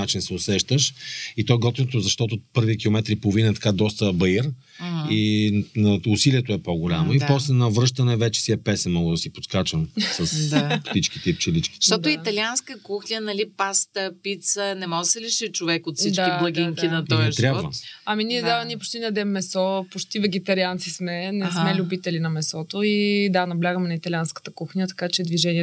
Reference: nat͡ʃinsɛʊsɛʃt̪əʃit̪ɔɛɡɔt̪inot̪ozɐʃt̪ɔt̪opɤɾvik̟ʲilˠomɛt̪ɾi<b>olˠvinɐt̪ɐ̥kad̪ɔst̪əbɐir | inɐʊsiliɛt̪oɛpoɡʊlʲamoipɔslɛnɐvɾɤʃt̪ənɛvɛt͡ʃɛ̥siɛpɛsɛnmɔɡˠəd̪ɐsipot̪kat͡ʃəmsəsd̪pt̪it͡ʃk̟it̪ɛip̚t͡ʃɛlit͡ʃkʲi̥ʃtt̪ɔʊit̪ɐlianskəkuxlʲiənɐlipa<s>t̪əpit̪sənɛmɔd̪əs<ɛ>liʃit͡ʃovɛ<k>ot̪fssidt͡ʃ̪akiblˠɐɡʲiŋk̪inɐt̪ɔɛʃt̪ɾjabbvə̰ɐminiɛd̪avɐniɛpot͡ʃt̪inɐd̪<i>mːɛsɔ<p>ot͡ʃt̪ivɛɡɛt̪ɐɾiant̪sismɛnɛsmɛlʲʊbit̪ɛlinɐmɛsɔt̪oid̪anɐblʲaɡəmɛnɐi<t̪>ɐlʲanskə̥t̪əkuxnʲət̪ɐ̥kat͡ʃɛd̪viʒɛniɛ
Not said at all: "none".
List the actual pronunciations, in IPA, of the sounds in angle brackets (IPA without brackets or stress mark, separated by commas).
p, s, ɛ, k, ɛ, p, t̪